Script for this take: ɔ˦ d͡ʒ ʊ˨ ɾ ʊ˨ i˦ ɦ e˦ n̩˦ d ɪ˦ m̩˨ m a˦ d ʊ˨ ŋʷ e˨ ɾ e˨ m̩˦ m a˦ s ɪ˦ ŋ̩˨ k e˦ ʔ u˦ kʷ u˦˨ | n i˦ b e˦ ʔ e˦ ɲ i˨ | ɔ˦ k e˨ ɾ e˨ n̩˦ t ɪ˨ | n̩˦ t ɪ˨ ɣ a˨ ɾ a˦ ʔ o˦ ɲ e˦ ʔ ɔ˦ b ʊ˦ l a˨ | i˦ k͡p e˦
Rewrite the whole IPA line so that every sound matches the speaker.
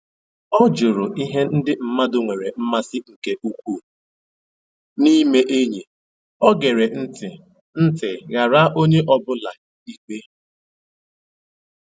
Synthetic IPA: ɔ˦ d͡ʒ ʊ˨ ɾ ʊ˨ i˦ ɦ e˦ n̩˦ d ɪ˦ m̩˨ m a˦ d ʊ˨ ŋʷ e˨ ɾ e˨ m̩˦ m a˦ s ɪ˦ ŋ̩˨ k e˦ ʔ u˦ kʷ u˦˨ | n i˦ m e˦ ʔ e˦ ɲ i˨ | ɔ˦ ɡ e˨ ɾ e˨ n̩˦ t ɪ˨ | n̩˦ t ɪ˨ ɣ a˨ ɾ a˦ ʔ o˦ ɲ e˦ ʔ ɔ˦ b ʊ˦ l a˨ | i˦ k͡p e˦